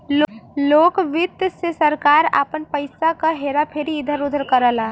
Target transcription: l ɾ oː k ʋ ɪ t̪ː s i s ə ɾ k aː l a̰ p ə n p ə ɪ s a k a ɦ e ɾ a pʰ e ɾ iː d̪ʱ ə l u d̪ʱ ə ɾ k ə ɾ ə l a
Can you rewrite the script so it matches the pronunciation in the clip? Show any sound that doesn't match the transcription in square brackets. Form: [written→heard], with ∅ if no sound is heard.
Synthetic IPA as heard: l [ɾ→l] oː k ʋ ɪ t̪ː s [i→e] s ə ɾ k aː [l→ɾ] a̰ p ə n p ə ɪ s a k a ɦ e ɾ a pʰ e ɾ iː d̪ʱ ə [l→ɾ] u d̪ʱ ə ɾ k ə ɾ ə l a